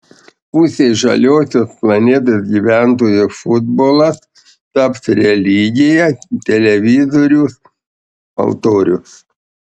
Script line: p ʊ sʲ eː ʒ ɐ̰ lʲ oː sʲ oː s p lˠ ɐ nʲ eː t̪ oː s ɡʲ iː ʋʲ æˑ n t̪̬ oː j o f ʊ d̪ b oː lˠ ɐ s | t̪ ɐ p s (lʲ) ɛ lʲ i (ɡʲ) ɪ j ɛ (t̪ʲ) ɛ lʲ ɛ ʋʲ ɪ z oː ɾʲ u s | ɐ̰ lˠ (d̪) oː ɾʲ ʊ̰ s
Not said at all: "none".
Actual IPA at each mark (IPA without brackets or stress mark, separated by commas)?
ɾʲ, ɡʲ, t̪ʲ, t̪